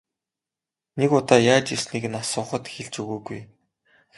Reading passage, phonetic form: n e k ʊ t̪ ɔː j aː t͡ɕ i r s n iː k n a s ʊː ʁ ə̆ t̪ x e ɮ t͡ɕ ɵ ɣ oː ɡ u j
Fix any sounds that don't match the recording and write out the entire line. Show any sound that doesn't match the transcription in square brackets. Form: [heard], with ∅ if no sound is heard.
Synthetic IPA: n e k ʊ t̪ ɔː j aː t͡ɕ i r s n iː k n a s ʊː [χ] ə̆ t̪ x e ɮ t͡ɕ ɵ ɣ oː ɡ u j